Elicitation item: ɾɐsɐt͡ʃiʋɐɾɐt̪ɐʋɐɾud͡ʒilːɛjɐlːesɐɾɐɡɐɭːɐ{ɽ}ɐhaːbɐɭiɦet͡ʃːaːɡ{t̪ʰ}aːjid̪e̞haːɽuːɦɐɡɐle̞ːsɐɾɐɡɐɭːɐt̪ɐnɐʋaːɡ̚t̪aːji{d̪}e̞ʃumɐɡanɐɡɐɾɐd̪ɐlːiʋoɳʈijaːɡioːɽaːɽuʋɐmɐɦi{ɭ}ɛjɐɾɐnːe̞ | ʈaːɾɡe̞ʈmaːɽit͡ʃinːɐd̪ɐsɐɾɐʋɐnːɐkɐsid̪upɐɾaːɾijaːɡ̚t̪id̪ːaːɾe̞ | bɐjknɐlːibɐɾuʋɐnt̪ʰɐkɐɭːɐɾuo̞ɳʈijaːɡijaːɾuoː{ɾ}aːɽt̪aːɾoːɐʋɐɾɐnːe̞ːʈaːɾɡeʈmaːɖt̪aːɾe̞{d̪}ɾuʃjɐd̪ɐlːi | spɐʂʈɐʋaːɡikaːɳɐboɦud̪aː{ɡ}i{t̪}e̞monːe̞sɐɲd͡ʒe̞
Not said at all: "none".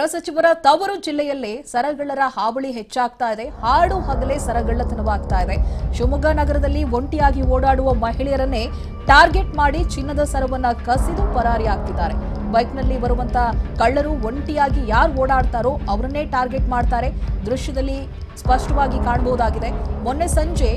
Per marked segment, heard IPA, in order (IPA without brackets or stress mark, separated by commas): ɾ, t̪, d̪, ɭ, ɽ, d̪, ɡ, d̪